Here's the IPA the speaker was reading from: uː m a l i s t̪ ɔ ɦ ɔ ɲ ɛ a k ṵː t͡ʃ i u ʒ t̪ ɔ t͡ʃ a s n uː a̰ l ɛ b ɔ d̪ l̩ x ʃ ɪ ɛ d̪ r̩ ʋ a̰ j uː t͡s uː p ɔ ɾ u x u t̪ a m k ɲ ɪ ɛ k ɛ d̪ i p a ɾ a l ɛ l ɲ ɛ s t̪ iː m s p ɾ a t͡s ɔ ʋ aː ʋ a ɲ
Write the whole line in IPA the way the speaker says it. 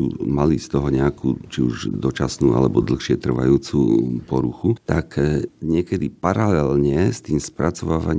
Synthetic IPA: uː m a l i s t̪ ɔ ɦ ɔ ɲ ɛ a k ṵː t͡ʃ i u ʒ d̪ ɔ t͡ʃ a s n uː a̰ l ɛ b ɔ d̪ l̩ x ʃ ɪ ɛ t̪ r̩ ʋ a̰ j uː t͡s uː p ɔ ɾ u x u t̪ a k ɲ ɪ ɛ k ɛ d̪ i p a ɾ a l ɛ l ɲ ɛ s t̪ iː m s p ɾ a t͡s ɔ ʋ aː ʋ a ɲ